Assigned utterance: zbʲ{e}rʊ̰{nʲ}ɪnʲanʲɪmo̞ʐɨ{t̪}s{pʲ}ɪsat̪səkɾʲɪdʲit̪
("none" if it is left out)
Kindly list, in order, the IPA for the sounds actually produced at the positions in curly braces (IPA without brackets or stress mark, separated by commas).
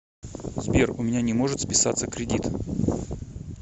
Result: e, mʲ, t̪, pʲ